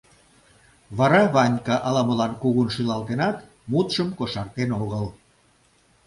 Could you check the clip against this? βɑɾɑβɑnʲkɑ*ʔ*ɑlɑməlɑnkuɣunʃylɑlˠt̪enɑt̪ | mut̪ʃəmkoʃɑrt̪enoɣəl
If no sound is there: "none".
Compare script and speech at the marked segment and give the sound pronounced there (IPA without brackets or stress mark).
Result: ʔ